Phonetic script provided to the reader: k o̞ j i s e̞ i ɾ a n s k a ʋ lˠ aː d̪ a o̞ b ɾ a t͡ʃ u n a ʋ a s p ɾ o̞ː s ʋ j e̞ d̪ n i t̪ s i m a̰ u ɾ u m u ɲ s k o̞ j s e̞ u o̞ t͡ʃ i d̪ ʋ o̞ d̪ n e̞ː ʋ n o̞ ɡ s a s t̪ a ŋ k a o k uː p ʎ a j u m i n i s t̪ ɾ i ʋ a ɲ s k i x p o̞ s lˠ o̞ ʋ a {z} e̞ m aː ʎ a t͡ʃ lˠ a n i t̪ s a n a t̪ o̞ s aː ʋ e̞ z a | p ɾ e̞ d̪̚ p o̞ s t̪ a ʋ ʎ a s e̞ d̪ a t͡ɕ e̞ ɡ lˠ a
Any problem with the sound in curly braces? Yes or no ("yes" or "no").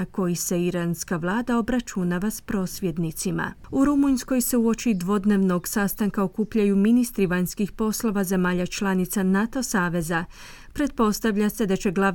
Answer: no